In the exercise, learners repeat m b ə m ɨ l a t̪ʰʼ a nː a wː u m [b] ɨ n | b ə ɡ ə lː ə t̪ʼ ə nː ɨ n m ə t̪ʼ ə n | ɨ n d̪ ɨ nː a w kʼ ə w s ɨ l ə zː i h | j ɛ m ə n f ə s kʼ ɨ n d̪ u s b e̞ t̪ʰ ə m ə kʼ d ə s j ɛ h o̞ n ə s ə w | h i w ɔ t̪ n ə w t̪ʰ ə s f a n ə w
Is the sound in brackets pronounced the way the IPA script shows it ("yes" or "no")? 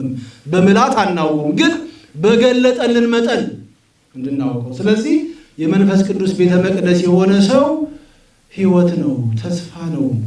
no